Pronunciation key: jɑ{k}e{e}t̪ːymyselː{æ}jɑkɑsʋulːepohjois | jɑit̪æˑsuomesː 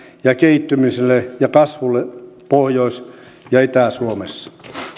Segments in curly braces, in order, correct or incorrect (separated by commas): correct, incorrect, incorrect